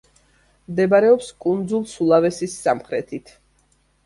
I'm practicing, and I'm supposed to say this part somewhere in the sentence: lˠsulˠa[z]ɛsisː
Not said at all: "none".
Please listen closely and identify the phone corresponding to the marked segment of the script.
v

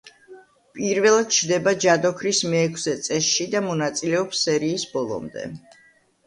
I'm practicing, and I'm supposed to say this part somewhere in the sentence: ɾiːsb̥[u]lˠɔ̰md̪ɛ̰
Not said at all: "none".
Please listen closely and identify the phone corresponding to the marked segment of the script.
ɔ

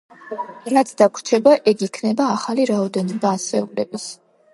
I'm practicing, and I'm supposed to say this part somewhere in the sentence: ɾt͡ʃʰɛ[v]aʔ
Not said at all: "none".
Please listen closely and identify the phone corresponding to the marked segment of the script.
b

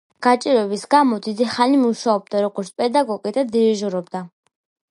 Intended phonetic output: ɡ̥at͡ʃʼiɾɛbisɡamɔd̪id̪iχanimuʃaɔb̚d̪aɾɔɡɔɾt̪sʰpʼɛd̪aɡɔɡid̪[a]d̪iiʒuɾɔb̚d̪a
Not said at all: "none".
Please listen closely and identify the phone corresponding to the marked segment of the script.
a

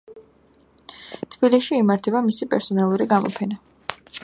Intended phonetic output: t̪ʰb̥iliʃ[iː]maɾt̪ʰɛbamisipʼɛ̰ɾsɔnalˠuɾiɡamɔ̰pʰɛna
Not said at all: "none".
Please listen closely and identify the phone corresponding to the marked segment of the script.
iː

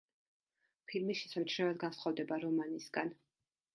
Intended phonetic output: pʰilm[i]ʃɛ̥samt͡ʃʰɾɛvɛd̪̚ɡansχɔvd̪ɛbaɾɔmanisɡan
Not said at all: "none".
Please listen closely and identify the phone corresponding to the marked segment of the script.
i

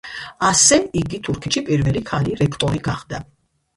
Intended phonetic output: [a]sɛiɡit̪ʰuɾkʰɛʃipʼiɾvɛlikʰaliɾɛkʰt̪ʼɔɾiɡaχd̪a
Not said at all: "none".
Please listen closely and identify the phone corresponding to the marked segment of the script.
a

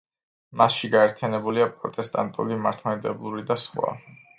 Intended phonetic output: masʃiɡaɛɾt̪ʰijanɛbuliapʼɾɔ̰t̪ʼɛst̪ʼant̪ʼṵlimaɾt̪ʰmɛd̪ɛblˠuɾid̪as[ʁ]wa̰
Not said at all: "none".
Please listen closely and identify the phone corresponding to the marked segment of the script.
χ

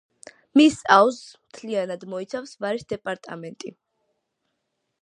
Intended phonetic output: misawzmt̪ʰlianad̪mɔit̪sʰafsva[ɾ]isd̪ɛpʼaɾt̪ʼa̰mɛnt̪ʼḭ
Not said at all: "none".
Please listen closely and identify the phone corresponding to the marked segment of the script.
ɾ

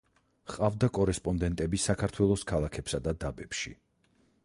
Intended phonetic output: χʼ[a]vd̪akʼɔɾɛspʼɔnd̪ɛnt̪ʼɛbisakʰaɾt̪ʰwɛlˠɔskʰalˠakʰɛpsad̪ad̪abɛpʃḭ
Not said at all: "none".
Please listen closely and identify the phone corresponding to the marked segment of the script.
a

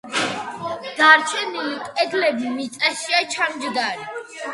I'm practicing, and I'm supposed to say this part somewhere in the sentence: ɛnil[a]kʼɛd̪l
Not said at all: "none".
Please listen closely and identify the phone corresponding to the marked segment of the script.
i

